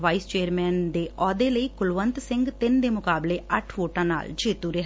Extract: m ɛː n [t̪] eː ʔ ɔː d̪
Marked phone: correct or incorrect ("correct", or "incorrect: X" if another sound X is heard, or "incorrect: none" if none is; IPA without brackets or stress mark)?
incorrect: d̪